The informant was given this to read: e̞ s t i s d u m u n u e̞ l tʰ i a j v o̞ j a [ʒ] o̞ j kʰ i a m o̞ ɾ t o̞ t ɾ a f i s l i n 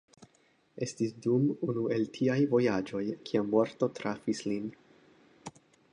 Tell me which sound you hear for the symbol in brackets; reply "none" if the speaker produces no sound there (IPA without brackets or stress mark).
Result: d͡ʒ